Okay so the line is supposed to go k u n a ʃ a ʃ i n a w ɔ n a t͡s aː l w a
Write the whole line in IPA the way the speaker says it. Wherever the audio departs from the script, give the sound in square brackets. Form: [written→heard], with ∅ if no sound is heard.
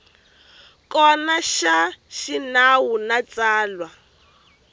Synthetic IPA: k [u→ɔ] n a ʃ a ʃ i n a w [ɔ→u] n a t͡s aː l w a